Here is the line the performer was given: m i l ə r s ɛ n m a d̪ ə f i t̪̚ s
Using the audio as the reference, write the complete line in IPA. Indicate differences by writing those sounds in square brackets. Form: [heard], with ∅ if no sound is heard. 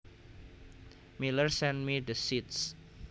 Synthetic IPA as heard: m i l ə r s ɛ n m [i] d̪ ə [s] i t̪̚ s